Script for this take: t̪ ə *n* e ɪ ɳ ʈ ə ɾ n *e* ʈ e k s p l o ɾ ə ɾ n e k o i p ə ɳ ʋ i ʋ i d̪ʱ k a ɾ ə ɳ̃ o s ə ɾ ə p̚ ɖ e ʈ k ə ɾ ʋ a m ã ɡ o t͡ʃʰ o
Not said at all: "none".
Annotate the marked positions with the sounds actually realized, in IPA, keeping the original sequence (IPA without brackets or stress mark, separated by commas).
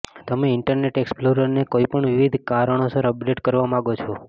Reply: m, e